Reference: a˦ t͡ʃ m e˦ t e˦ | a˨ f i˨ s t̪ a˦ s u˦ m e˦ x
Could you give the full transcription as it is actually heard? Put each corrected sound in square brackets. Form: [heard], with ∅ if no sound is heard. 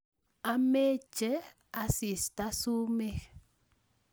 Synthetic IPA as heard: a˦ [∅] m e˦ [t͡ʃ] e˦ | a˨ [s] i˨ s t̪ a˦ s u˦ m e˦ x